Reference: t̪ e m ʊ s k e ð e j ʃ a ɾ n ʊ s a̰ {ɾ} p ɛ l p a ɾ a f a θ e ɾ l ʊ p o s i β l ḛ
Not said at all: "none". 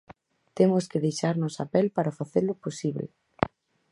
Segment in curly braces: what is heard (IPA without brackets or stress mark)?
none